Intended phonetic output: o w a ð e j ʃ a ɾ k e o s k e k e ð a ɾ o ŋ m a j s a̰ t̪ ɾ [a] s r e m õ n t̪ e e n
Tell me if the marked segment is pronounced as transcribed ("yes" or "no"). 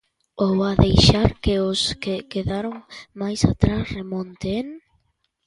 yes